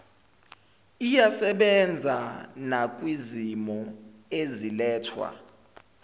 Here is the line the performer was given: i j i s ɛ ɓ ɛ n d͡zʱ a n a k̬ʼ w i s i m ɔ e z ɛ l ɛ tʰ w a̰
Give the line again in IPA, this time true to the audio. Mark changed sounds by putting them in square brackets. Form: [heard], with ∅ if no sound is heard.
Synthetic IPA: i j [a] s ɛ ɓ ɛ n d͡zʱ a n a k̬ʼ w i [z] i m ɔ e z [i] l [ɛː] tʰ w a̰